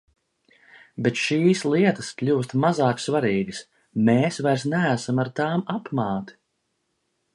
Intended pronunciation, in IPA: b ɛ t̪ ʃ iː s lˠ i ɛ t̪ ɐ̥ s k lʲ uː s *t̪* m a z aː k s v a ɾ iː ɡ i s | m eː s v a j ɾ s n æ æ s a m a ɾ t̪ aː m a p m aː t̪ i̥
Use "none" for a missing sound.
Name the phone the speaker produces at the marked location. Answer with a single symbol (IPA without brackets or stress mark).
t̪